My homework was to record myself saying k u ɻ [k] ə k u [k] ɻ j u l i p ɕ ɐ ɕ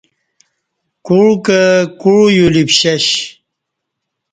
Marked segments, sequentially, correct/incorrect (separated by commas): correct, incorrect